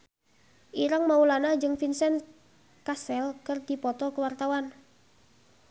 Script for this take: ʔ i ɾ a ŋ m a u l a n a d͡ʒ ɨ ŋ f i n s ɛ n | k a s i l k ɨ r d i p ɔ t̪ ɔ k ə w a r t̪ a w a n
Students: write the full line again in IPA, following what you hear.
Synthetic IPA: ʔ i ɾ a ŋ m a u l a n a d͡ʒ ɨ ŋ f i n s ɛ n | k a s ɛ l k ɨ r d i p ɔ t̪ ɔ k ə w a r t̪ a w a n